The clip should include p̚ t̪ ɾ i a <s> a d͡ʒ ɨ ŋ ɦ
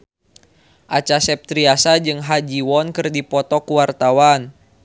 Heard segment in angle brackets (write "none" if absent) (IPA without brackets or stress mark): s